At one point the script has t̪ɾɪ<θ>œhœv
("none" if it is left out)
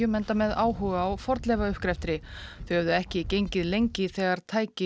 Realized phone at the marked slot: θ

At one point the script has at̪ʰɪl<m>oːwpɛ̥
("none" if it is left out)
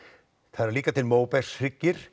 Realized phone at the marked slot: m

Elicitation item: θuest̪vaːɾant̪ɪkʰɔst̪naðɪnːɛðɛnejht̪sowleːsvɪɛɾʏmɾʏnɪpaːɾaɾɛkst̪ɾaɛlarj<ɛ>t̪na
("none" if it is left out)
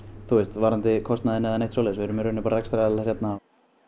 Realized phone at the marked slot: ɛ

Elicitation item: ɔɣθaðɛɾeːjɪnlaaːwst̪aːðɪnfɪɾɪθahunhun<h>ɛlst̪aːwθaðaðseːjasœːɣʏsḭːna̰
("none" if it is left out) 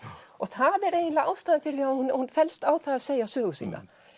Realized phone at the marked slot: f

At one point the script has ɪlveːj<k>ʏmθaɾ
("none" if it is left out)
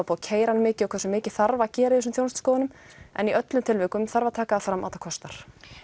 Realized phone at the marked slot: k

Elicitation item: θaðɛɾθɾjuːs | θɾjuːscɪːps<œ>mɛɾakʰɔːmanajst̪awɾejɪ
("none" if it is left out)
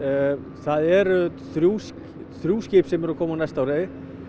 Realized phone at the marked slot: ɛ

